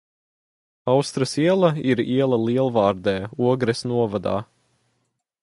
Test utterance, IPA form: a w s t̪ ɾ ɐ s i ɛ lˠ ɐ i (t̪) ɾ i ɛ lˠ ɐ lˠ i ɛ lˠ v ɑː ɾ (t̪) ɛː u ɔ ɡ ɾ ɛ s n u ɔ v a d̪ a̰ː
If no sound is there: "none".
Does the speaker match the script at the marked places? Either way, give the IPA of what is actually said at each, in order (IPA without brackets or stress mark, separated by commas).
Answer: none, d̪